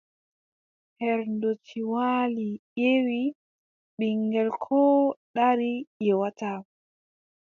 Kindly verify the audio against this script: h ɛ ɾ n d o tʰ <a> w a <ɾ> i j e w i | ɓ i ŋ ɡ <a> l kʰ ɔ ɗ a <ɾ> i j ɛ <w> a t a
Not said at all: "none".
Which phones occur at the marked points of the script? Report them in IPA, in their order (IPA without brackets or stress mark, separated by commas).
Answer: i, l, ɛ, ɾ, w